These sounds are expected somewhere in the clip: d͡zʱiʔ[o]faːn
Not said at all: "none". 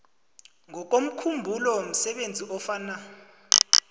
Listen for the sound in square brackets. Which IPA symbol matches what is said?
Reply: ɔ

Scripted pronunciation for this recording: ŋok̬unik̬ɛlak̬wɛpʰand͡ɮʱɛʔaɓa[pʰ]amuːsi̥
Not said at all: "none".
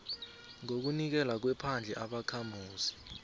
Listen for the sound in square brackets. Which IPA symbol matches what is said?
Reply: kʰ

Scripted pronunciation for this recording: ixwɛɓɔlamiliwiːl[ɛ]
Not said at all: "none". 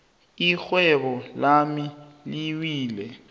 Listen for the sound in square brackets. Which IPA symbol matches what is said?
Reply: ɛ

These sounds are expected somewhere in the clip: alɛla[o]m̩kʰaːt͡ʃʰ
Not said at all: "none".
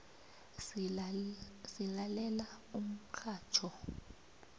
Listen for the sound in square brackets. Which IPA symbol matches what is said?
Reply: u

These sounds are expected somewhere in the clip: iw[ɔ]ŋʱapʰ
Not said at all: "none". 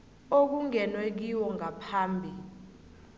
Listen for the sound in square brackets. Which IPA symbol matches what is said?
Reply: ɔ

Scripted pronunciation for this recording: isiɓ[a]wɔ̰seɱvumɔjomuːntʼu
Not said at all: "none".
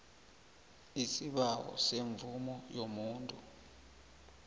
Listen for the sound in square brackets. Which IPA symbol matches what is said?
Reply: a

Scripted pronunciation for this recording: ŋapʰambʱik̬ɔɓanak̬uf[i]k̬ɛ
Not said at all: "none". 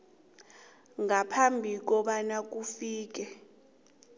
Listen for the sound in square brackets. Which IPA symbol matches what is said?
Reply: iː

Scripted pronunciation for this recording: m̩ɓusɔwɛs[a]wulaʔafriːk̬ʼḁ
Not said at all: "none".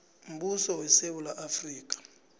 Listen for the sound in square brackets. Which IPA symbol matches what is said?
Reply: e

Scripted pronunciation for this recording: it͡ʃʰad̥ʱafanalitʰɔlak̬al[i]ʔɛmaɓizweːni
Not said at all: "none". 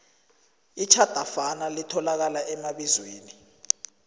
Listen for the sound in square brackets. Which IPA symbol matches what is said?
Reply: a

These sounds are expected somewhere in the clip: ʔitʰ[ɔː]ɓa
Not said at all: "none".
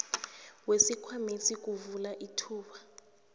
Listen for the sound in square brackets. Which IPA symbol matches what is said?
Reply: uː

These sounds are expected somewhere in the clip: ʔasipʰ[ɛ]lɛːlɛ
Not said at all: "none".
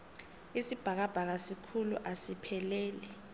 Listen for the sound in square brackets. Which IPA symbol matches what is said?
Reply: ɛ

